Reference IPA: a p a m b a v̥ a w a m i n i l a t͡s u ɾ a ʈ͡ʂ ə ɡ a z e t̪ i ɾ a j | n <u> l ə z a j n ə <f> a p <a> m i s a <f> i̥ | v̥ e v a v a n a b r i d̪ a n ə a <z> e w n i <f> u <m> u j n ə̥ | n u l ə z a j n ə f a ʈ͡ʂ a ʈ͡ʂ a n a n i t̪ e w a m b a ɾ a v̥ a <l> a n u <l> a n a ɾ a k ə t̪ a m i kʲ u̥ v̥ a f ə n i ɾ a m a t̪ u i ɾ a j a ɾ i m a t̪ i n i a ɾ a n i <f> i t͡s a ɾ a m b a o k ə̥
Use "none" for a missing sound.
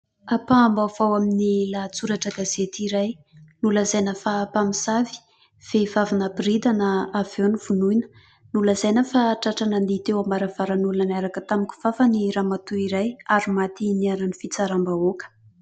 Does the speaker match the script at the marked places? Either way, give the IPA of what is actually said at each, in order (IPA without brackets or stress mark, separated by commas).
u, f, a, v, v, v, n, ɾ, l, f